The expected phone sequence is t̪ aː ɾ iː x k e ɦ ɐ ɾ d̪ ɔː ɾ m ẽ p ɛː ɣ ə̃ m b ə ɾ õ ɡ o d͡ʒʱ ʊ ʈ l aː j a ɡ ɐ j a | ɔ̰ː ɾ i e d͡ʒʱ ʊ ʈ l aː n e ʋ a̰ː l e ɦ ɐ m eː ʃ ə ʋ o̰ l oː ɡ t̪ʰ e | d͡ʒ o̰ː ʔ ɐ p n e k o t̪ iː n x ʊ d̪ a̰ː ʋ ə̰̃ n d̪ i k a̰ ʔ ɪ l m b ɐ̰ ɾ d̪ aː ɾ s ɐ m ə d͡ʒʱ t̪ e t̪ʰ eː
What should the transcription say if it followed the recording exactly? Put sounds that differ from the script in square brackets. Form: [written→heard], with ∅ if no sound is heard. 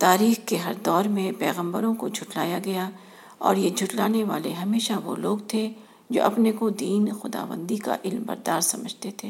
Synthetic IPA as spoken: t̪ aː ɾ iː x k e ɦ ɐ ɾ d̪ ɔː ɾ m ẽ p ɛː ɣ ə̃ m b ə ɾ õ [ɡ→k] o d͡ʒʱ ʊ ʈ l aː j a ɡ ɐ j a | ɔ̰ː ɾ [i→j] e d͡ʒʱ ʊ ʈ l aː n e ʋ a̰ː l e ɦ ɐ m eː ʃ [ə→a] ʋ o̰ l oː ɡ t̪ʰ e | d͡ʒ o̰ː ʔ ɐ p n e k o [t̪→d̪] iː n x ʊ d̪ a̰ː ʋ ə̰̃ n d̪ i k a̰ ʔ ɪ l m b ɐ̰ ɾ d̪ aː ɾ s ɐ m ə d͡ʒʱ t̪ e t̪ʰ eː